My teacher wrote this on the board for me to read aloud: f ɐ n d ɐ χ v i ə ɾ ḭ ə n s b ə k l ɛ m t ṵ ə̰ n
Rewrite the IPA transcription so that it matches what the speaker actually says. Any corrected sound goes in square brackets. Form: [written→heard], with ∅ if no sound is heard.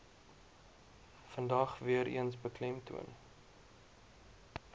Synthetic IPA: f [ɐ→ə] n d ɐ χ v i ə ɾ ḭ ə n s b ə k l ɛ m t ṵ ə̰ n